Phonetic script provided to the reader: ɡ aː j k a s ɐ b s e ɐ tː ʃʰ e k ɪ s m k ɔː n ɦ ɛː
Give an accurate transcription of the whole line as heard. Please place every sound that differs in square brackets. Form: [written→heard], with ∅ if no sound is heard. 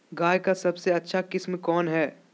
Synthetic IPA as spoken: ɡ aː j k a s ɐ b s e ɐ tː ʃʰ [e→a] k ɪ s m k ɔː n ɦ ɛː